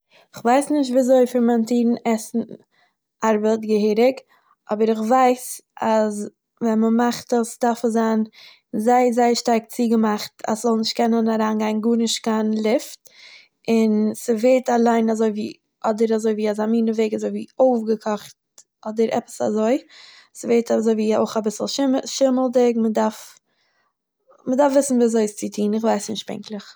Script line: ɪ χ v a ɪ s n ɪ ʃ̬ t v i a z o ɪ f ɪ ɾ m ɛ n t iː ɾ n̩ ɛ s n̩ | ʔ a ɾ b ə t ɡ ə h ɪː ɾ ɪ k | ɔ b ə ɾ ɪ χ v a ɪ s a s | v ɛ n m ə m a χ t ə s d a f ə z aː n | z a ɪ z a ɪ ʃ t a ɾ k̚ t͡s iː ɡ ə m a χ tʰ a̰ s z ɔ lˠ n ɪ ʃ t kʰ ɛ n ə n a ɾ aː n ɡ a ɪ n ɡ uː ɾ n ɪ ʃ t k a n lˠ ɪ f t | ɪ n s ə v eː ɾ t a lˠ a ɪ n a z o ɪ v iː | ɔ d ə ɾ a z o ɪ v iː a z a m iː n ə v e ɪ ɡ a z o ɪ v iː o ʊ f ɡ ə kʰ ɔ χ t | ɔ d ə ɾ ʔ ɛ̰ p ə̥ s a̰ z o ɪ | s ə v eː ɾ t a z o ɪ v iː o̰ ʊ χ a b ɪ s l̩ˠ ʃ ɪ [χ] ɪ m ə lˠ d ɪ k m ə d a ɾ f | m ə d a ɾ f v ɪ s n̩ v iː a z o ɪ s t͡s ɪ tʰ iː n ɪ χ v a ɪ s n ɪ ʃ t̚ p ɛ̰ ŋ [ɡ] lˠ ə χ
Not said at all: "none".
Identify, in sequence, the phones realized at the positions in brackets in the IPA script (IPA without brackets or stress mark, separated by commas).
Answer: ʃ, k